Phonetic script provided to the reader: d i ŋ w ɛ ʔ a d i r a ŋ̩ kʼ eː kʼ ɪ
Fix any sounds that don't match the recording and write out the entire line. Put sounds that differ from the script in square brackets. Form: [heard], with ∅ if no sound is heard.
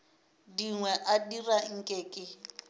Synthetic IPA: d i ŋ w ɛ ʔ a d i r a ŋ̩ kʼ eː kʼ ɪ